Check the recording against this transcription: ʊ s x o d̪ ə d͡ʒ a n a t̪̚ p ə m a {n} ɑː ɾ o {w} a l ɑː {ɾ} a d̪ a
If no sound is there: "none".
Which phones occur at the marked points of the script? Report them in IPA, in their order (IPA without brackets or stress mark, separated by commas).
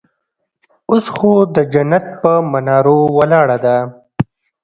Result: n, w, ɽ